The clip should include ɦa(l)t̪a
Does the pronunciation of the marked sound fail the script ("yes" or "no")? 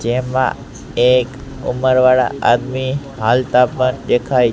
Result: no